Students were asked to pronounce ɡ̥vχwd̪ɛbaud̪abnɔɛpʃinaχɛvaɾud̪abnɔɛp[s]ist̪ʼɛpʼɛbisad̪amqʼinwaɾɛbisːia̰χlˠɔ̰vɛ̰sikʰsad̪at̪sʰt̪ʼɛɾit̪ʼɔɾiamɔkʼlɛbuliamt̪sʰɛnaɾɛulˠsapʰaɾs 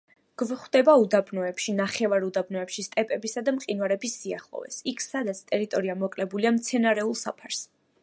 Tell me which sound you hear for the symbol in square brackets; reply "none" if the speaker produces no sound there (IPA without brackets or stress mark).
ʃ